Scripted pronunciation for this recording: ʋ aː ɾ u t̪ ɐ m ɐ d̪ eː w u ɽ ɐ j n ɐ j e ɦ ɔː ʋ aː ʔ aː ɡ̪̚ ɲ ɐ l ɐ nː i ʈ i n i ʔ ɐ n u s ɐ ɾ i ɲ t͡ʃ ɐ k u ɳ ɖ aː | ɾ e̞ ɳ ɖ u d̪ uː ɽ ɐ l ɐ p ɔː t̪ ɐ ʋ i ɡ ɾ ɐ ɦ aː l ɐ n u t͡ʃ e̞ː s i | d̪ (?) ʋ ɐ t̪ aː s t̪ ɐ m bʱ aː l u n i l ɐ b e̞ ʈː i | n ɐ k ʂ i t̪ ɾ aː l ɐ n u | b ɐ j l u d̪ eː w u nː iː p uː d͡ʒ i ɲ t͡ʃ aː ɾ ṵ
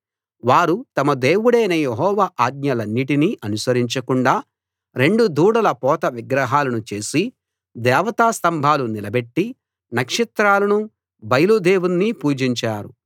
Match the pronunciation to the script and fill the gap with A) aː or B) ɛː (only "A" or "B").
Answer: B